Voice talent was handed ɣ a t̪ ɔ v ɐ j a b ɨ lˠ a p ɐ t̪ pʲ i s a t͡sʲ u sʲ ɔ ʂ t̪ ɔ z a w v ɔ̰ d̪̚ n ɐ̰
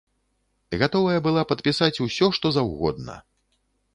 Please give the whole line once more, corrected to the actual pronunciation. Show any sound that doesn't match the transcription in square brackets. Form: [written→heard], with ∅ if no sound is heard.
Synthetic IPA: ɣ a t̪ ɔ v ɐ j [a→ɐ] b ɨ lˠ a p ɐ t̪ pʲ i s a t͡sʲ u sʲ ɔ ʂ t̪ ɔ z a w [v→ɣ] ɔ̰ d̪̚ n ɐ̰